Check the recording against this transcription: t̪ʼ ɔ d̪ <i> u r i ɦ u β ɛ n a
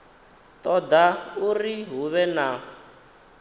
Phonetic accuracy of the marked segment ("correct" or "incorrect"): incorrect